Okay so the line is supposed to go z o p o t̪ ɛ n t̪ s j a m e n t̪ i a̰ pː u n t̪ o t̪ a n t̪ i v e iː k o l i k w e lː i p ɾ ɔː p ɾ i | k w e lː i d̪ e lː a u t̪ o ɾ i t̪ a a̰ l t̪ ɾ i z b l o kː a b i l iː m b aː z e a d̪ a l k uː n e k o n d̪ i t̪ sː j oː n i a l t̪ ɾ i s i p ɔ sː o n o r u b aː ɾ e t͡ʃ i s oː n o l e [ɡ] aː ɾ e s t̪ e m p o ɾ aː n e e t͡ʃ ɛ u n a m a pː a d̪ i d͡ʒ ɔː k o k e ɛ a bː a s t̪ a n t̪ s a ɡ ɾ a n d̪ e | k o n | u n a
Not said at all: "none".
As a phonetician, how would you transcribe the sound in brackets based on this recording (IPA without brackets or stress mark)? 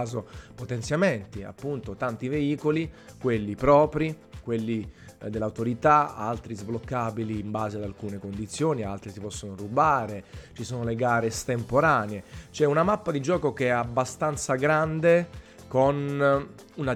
ɡ